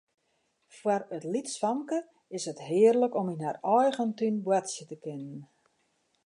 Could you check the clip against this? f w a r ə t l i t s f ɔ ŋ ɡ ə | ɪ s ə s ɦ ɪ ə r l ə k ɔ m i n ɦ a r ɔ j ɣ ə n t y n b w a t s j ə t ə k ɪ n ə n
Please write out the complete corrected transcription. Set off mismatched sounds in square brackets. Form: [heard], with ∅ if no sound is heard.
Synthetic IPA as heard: f w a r ə t l i t s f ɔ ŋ [k] ə | ɪ s ə [t] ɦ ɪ ə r l ə k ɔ m i n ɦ a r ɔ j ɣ ə n t y n b w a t s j ə t ə k ɪ n ə n